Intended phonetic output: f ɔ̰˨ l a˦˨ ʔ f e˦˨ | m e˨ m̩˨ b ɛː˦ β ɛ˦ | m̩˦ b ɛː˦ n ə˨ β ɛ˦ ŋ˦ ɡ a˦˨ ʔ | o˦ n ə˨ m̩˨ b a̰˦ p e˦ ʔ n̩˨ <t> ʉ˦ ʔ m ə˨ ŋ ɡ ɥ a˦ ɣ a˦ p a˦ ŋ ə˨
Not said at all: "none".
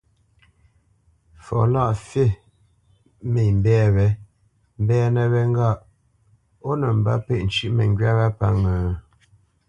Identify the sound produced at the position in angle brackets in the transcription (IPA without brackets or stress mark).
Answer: t͡ʃ